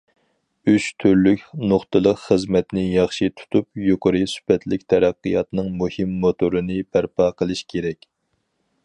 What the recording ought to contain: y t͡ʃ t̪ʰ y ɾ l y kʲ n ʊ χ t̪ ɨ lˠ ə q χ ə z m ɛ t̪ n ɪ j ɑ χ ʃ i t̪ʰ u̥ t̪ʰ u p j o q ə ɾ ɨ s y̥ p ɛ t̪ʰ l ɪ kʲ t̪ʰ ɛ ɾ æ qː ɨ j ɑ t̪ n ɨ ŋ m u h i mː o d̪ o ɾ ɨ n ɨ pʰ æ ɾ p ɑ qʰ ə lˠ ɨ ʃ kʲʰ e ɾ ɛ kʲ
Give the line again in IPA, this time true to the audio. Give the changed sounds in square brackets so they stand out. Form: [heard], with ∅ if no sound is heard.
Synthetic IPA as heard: y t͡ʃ t̪ʰ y ɾ l y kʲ n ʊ χ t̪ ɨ lˠ ə q χ ə z m ɛ t̪ n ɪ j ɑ χ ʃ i t̪ʰ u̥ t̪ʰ u p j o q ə ɾ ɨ s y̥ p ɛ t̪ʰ l ɪ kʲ t̪ʰ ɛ ɾ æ qː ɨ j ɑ t̪ n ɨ ŋ m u h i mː o [t̪] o ɾ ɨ n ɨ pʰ æ ɾ p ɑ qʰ ə lˠ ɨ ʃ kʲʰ e ɾ ɛ kʲ